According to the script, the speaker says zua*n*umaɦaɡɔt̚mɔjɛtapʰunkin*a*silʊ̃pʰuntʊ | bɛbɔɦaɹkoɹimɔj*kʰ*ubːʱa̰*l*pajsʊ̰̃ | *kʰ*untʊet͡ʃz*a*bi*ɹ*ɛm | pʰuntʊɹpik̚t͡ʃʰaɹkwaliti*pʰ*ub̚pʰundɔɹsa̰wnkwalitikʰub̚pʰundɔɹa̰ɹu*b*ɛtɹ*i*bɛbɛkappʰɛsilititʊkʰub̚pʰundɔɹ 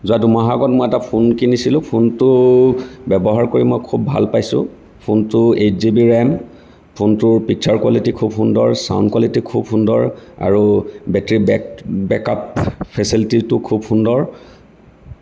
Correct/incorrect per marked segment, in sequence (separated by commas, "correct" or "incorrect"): incorrect, incorrect, correct, correct, incorrect, incorrect, correct, incorrect, correct, correct